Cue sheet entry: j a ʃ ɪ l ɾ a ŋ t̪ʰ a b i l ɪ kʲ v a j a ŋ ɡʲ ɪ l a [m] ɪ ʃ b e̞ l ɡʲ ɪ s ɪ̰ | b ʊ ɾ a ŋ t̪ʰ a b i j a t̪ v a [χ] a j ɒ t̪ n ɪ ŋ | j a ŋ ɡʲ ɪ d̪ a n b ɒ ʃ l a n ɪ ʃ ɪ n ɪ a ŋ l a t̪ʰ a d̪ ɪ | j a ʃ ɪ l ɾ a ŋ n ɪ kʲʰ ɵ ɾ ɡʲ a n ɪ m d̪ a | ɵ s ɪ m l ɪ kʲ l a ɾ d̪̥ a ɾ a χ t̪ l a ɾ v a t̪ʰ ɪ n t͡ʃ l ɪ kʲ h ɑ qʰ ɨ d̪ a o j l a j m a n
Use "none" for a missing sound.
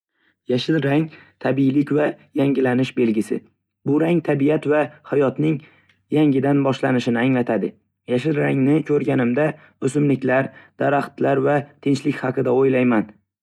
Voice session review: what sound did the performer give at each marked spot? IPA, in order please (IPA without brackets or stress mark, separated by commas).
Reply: n, h